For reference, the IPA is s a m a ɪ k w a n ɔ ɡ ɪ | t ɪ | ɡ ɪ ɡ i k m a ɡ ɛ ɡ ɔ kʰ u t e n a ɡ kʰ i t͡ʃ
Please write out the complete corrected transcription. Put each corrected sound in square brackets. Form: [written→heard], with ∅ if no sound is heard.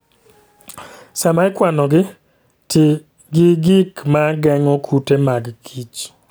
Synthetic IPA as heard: s a m a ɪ k w a n ɔ ɡ ɪ | t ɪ | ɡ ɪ ɡ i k m a ɡ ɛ [ɡ→ŋ] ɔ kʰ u t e [n→m] a ɡ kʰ i t͡ʃ